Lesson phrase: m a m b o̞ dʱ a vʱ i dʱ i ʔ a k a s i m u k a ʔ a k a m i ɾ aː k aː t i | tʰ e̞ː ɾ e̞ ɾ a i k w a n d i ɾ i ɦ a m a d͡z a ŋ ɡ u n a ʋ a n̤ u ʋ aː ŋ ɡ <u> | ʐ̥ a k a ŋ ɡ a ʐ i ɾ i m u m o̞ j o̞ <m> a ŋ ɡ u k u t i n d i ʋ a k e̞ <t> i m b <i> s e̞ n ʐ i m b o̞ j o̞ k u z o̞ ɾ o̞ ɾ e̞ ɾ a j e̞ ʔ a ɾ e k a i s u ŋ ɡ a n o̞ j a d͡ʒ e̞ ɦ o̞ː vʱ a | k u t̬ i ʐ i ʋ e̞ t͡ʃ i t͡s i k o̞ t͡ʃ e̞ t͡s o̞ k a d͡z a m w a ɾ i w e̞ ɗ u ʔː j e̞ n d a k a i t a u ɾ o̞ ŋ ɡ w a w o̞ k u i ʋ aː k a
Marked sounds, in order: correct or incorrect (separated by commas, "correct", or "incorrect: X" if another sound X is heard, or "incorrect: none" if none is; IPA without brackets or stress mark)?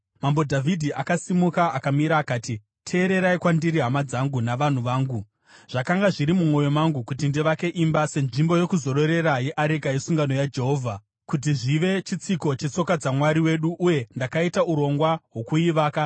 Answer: correct, correct, incorrect: ʔ, incorrect: a